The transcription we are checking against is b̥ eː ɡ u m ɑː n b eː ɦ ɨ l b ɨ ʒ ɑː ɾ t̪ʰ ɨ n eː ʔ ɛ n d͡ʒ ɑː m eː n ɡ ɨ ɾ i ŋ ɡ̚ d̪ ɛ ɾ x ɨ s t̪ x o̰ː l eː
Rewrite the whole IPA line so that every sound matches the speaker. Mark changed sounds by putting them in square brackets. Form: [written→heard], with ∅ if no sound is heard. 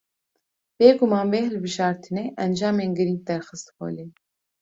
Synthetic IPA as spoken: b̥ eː ɡ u m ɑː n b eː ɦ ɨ l b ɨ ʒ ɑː ɾ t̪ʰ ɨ n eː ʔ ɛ n d͡ʒ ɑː m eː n ɡ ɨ ɾ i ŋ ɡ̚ d̪ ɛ ɾ x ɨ s t̪ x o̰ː l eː